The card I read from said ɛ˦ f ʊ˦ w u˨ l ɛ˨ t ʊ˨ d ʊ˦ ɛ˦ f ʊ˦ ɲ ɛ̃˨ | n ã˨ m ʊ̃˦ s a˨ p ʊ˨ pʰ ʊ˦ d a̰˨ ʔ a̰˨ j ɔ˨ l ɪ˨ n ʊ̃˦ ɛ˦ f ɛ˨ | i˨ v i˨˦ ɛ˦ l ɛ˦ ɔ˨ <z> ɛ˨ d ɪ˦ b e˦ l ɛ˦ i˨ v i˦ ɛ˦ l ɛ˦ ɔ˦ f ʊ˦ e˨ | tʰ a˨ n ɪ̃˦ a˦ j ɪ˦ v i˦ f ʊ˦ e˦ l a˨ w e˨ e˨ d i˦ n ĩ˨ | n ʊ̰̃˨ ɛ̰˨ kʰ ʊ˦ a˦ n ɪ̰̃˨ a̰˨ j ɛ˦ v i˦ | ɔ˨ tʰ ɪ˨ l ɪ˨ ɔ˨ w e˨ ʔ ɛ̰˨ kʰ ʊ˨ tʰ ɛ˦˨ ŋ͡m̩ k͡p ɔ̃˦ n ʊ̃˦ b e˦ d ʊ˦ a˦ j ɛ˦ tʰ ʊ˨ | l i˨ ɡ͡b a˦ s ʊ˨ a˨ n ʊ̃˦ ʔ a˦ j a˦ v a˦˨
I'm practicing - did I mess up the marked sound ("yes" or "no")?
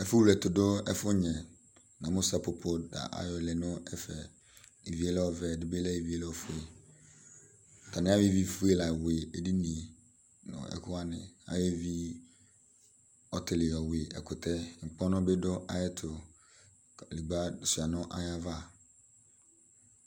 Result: yes